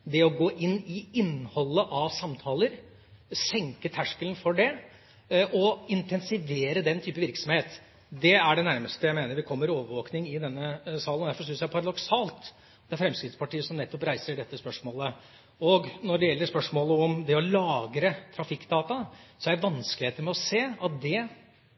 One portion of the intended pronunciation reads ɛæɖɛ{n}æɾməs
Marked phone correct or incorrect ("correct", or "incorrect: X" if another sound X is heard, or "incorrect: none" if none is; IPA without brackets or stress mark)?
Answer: correct